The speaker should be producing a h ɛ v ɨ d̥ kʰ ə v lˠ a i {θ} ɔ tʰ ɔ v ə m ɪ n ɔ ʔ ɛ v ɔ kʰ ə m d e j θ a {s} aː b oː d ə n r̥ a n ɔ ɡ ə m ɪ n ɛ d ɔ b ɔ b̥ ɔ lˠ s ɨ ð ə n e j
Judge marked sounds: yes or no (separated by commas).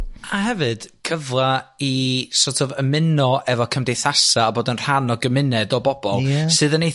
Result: no, yes